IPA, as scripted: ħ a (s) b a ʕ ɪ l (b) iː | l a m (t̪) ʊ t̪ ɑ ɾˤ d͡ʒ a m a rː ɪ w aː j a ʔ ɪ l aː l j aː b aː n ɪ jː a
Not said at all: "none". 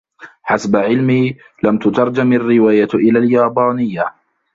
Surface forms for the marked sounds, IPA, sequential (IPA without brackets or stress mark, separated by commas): s, m, t̪